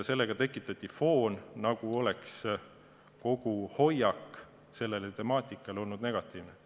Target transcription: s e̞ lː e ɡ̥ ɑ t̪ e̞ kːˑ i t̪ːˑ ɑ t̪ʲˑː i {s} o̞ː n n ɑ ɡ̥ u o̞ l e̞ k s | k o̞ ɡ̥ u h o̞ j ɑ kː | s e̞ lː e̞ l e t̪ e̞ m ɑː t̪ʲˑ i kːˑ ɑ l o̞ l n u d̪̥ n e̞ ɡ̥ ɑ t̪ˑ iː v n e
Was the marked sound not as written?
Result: yes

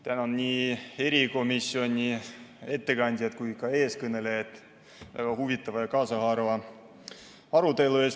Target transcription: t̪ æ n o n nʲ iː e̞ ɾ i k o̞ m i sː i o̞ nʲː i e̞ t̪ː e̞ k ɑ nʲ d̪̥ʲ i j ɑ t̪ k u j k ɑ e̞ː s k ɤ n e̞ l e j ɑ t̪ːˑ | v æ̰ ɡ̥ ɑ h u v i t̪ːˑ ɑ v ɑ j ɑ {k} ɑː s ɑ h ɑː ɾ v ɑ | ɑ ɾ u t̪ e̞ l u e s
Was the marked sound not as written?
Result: no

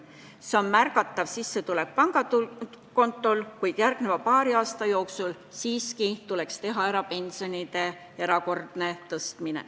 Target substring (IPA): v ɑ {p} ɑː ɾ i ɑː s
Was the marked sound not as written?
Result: no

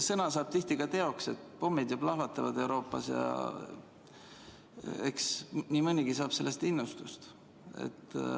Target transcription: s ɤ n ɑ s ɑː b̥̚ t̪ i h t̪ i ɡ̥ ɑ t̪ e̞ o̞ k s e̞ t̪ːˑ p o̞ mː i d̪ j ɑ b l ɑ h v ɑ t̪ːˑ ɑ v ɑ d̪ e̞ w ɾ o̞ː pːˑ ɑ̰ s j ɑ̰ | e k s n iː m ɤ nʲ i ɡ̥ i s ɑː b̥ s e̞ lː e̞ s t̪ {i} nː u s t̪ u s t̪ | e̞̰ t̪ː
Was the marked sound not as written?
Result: no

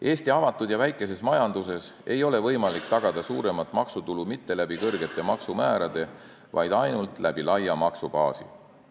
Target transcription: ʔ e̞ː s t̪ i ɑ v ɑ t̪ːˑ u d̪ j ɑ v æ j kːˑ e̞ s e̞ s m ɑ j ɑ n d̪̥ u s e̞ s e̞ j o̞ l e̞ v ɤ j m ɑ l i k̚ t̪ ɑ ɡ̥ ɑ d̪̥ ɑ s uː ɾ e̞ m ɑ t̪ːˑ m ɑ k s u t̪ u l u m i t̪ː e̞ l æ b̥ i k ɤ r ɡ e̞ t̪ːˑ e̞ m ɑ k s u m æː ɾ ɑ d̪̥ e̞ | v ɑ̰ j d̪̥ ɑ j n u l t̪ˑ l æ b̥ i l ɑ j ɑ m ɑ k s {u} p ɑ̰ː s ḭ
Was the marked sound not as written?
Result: no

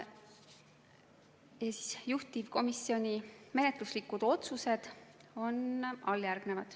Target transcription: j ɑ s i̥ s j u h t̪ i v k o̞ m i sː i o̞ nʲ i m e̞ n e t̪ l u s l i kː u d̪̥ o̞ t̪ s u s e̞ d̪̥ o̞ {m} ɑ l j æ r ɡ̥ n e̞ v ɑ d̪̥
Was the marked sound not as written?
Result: yes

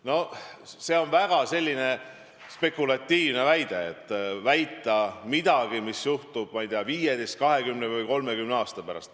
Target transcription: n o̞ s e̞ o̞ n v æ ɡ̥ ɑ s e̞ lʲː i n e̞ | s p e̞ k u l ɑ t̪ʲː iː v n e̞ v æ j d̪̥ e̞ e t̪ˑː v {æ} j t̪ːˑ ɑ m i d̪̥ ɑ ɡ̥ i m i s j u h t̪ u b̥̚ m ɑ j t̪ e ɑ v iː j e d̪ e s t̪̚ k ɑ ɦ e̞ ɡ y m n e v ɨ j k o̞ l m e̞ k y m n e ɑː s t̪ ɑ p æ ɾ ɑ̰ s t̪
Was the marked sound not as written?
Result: no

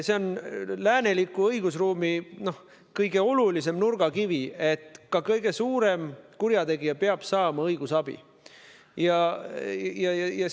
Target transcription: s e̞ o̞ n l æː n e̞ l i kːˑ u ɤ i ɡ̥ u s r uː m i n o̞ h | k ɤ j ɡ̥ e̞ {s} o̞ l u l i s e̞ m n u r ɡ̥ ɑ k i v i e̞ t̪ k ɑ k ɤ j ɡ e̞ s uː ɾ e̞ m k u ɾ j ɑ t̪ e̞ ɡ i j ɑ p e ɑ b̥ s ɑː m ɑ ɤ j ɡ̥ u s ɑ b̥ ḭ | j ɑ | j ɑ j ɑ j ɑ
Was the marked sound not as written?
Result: yes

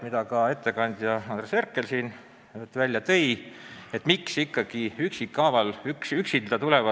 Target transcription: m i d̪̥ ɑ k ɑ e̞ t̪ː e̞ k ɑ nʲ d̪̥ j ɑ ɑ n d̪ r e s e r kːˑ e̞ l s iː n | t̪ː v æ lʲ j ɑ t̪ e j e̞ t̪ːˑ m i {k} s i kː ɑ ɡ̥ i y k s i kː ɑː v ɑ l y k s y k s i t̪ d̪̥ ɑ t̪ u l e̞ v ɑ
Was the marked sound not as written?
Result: no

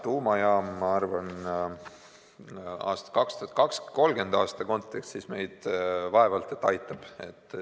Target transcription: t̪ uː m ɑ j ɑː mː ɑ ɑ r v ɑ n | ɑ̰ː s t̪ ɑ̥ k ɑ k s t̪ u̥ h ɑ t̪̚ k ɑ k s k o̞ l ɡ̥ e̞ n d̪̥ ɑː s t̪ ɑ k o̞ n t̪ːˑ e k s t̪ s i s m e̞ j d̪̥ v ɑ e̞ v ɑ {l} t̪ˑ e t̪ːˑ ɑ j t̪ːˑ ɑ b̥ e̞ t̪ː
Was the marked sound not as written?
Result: no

